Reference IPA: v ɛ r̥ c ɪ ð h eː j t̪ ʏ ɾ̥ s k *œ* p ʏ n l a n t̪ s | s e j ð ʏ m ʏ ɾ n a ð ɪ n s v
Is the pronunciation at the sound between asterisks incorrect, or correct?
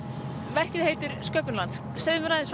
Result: incorrect